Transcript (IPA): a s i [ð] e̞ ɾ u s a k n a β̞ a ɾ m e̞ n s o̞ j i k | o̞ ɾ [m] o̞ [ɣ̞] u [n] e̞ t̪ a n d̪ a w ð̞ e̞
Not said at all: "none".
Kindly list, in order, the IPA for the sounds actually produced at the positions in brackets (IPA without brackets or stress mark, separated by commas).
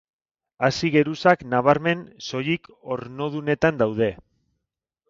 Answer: ɣ, n, ð̞, n